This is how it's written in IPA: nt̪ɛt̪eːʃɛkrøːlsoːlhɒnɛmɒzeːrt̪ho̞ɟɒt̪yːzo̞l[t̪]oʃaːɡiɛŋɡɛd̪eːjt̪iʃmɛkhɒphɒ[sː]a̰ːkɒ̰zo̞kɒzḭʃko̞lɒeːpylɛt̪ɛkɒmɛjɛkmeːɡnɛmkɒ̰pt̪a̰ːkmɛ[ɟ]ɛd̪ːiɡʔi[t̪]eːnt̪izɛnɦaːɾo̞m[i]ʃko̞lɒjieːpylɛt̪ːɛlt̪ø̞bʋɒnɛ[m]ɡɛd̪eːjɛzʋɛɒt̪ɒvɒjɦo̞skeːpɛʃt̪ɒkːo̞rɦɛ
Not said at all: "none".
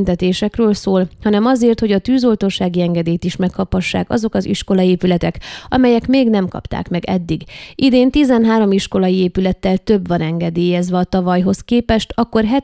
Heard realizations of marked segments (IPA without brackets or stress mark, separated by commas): t̪, ʃː, ɡ, d̪, i, ŋ